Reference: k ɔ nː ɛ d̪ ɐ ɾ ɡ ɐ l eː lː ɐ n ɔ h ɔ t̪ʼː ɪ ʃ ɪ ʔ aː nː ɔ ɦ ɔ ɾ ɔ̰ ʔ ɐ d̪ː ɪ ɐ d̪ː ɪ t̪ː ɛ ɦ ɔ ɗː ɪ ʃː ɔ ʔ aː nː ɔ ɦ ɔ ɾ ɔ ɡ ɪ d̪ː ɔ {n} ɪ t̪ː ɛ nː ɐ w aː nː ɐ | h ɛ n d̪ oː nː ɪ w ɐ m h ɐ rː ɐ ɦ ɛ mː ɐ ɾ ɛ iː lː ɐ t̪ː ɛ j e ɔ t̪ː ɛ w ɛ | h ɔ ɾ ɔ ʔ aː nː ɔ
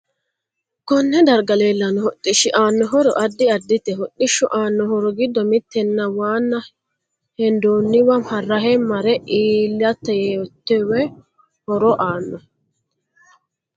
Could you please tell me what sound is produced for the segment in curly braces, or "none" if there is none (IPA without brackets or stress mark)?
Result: m